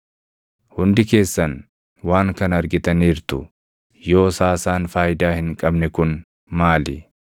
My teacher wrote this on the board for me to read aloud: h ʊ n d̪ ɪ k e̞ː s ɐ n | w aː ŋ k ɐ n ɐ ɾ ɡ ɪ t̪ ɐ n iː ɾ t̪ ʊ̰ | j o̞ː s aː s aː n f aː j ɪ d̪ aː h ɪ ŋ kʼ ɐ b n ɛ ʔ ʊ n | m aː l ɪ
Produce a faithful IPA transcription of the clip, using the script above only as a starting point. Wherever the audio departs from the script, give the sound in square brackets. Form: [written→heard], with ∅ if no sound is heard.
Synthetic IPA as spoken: h ʊ n d̪ ɪ k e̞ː [s→sː] ɐ n | w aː ŋ k ɐ n ɐ ɾ ɡ ɪ t̪ ɐ n iː ɾ t̪ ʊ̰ | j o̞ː s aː s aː n f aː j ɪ d̪ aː h ɪ ŋ kʼ ɐ b n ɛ [ʔ→k] ʊ n | m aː l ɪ